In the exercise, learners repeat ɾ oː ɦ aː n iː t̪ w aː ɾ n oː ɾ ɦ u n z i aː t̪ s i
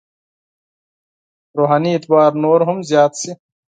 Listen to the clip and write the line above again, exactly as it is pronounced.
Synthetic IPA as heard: ɾ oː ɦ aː n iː t̪ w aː ɾ n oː ɾ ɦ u m z j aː t̪ s i